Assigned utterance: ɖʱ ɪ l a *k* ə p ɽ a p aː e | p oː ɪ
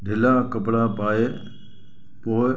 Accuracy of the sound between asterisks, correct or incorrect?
correct